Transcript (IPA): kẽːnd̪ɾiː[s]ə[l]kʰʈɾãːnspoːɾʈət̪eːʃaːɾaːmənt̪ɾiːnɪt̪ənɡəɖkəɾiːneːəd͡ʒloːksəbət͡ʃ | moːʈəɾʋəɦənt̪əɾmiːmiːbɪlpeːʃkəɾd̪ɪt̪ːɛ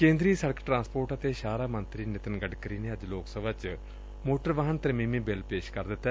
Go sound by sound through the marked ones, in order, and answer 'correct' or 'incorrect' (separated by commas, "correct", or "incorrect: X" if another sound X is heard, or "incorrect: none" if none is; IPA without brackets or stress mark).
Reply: correct, incorrect: ɽ